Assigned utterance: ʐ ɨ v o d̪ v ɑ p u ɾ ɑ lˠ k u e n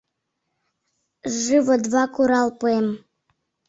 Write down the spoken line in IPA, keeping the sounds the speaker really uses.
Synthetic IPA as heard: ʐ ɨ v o d̪ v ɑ k u ɾ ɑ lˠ p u e m